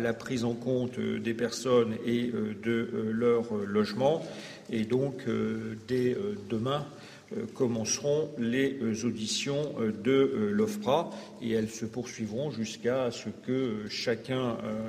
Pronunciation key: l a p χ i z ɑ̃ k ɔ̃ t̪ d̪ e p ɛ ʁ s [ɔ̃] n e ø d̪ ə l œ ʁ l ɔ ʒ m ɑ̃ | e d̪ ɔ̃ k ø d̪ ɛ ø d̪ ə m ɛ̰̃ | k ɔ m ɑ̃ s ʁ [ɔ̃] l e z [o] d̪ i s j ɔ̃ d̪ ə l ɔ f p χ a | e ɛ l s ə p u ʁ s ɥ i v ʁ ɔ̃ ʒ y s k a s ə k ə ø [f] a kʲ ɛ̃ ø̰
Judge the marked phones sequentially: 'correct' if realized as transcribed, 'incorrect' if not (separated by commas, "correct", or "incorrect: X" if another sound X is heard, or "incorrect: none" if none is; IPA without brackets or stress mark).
incorrect: ɔ, correct, correct, incorrect: ʃ